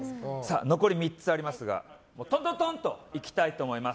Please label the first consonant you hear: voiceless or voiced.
voiceless